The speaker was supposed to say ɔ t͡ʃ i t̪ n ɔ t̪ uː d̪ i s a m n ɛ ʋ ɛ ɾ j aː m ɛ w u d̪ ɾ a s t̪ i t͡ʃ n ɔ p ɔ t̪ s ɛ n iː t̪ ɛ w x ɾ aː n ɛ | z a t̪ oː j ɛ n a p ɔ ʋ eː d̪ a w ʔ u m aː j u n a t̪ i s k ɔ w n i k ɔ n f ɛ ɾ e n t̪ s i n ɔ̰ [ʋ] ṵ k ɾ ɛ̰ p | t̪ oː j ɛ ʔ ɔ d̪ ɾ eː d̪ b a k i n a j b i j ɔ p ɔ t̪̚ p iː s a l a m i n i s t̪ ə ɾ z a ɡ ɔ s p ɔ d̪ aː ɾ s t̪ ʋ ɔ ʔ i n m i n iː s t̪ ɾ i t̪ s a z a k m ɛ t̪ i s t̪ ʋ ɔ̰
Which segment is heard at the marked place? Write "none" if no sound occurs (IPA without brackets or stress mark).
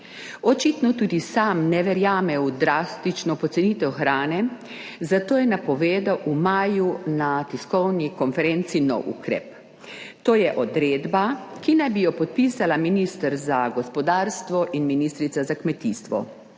w